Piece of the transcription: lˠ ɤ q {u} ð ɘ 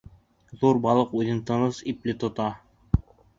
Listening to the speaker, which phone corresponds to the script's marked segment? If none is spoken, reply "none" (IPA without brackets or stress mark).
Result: u